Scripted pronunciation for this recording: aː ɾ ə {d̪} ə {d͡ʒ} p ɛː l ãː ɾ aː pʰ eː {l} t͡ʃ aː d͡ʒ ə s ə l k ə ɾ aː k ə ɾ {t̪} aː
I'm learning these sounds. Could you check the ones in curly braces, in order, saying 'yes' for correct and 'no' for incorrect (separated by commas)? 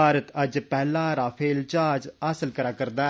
no, yes, yes, no